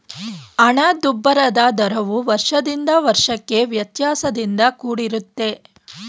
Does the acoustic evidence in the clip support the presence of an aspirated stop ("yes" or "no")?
no